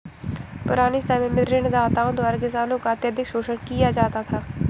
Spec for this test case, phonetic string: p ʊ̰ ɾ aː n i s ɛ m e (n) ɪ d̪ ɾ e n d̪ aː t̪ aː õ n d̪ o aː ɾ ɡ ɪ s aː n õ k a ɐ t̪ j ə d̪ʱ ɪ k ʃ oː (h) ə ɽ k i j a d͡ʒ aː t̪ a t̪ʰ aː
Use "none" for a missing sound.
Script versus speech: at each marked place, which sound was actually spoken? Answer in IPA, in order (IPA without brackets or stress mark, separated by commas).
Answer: m, ʃ